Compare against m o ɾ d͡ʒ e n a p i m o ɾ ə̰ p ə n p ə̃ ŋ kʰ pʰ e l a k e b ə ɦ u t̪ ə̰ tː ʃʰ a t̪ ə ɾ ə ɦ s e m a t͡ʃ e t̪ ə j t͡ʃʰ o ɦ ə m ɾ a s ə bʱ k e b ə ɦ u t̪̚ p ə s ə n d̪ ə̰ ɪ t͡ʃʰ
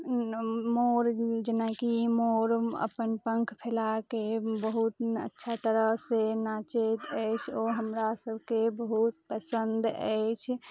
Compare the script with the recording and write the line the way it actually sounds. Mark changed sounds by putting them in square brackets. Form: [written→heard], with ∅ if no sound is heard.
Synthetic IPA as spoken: m o ɾ d͡ʒ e n a [p→k] i m o ɾ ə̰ p ə n p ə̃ ŋ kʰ pʰ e l a k e b ə ɦ u t̪ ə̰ tː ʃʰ a t̪ ə ɾ ə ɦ s e [m→n] a t͡ʃ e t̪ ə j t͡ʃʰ o ɦ ə m ɾ a s ə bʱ k e b ə ɦ u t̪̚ p ə s ə n d̪ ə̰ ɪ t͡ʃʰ